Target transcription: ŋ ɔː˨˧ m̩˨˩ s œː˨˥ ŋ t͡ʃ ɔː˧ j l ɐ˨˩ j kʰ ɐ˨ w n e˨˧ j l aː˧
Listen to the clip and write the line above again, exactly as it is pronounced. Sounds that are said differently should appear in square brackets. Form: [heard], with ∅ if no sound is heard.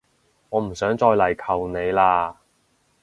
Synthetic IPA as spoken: ŋ ɔː˨˧ m̩˨˩ s œː˨˥ ŋ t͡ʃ ɔː˧ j l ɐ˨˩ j kʰ ɐ˨ w n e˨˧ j l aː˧